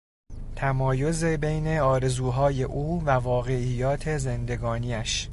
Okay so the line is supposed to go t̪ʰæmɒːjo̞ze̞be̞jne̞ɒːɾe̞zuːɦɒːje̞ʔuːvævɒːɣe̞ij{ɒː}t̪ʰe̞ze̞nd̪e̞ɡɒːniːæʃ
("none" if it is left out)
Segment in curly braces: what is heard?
ɒː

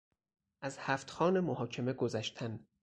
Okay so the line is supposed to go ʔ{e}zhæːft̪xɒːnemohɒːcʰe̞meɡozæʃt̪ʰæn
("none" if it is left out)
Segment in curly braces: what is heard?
æ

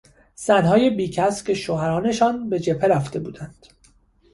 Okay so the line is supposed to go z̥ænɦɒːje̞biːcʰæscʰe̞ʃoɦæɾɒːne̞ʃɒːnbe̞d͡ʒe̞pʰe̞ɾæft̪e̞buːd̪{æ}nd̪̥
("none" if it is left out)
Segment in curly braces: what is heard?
æ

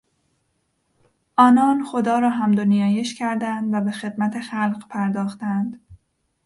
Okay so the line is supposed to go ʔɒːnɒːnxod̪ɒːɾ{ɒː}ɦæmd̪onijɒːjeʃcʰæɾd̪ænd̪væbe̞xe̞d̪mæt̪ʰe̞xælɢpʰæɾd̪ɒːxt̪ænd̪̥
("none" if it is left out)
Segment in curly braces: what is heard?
ɒː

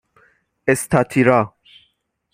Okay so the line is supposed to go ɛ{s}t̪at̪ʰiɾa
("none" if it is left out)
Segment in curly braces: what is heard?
s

